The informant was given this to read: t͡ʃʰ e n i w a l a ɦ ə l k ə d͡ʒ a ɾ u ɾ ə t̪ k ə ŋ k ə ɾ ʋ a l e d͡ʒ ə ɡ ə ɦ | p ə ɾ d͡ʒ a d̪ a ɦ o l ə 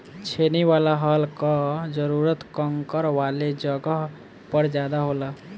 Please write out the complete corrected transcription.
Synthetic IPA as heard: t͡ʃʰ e n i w a l a ɦ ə l k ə d͡ʒ ə ɾ u ɾ ə t̪ k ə ŋ k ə ɾ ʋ a l e d͡ʒ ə ɡ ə ɦ | p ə ɾ d͡ʒ a d̪ a ɦ o l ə

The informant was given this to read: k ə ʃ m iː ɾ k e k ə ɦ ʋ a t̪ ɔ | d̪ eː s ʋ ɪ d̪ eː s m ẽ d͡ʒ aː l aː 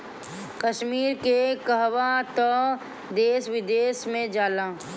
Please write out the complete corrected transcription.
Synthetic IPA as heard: k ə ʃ m iː ɾ k e k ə ɦ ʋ a t̪ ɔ | d̪ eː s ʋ ɪ d̪ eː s m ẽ d͡ʒ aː l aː

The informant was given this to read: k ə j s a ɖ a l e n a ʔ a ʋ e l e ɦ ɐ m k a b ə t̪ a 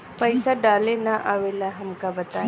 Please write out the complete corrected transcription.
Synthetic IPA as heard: p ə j s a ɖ a l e n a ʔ a ʋ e l a ɦ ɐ m k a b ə t̪ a

